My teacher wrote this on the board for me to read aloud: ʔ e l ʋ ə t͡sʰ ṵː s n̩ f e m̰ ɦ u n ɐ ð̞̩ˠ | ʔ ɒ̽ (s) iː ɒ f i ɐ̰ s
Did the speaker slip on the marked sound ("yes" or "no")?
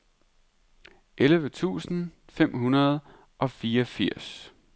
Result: yes